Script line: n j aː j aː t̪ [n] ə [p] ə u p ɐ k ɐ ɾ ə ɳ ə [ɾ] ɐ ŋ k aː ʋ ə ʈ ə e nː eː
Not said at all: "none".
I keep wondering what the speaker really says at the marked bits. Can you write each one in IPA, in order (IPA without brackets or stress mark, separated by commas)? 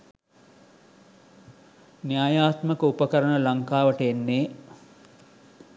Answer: m, k, l